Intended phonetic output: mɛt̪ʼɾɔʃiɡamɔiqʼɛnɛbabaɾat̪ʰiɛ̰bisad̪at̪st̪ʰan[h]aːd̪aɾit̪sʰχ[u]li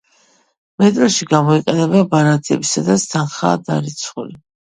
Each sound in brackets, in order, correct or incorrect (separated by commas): incorrect, correct